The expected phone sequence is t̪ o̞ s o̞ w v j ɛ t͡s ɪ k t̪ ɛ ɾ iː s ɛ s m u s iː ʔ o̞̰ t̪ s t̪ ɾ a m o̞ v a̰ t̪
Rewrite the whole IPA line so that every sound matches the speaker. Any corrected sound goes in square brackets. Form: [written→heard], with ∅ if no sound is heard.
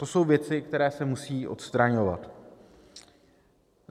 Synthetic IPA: t̪ o̞ s o̞ w v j ɛ t͡s ɪ k t̪ ɛ ɾ [iː→ɛː] s ɛ [s→∅] m u s iː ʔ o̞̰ t̪ s t̪ ɾ a [m→ɲ] o̞ v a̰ t̪